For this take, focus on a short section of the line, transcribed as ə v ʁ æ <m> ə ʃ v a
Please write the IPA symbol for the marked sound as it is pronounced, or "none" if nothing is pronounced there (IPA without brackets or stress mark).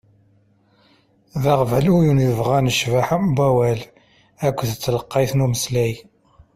n